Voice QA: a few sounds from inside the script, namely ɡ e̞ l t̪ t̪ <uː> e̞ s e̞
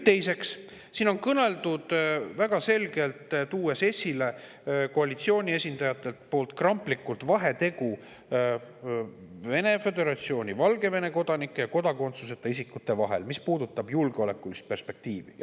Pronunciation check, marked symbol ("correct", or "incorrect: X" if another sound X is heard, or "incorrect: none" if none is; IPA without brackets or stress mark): correct